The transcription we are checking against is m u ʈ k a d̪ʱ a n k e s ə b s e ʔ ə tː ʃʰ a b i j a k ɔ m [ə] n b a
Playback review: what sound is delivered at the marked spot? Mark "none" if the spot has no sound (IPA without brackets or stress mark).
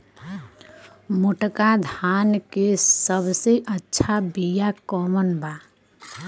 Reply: ə